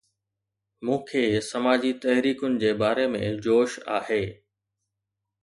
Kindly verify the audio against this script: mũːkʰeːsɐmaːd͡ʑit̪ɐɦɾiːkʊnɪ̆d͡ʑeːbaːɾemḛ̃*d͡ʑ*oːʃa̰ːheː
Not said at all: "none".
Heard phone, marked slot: d͡ʑ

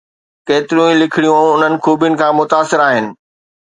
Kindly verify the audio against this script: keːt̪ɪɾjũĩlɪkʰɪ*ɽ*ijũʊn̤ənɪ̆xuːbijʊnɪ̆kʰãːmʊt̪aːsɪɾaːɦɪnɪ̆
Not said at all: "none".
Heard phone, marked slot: ɽ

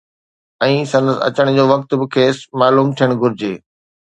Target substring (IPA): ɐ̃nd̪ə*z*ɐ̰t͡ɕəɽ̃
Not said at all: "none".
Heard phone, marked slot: s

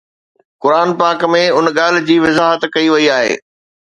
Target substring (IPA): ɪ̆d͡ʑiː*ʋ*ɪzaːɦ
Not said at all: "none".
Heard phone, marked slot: ʋ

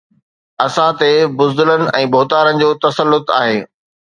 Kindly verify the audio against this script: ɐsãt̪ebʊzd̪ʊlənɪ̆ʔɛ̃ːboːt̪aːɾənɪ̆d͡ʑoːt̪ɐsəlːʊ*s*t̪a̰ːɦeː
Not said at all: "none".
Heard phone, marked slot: none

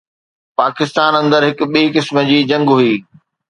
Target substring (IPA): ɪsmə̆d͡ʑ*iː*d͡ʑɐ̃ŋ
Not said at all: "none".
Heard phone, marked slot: iː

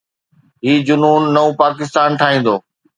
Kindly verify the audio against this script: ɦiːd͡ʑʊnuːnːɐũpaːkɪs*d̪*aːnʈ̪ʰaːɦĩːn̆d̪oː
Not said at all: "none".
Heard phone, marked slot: t̪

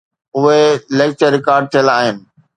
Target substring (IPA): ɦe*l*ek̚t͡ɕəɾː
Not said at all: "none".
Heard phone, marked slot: l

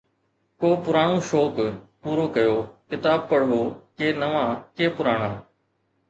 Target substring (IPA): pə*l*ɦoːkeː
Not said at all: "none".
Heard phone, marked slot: ɽ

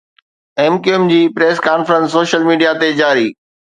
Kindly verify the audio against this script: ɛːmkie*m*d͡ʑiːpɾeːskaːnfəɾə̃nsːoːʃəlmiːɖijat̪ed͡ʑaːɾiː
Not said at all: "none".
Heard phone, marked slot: m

